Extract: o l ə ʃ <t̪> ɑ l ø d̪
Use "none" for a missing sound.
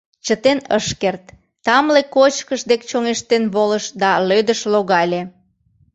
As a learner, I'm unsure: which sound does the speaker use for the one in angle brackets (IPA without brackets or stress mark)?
d̪